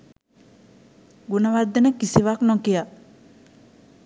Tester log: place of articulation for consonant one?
velar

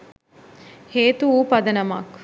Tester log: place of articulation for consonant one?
glottal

